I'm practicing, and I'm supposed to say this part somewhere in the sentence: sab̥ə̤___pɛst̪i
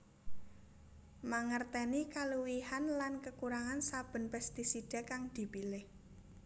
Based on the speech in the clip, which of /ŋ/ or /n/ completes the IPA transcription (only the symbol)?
n